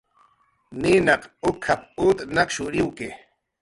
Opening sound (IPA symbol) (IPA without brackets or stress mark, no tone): n